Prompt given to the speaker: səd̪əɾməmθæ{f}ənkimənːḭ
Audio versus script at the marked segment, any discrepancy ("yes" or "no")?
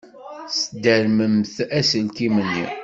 yes